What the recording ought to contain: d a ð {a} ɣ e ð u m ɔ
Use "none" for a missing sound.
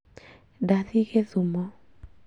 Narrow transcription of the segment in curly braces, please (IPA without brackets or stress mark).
i